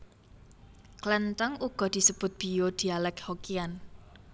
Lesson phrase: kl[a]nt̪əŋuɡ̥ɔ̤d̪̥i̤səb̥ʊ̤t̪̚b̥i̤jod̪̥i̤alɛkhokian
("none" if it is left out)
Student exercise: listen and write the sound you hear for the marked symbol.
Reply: ɛ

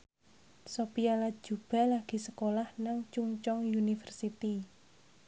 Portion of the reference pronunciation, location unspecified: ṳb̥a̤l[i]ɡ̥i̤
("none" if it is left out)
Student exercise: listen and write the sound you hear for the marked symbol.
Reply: a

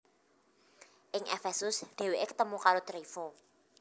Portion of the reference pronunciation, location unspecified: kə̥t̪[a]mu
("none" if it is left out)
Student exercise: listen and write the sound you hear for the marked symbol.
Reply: ə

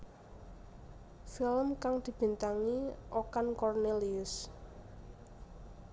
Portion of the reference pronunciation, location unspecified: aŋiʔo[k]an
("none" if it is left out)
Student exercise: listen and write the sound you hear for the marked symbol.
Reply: k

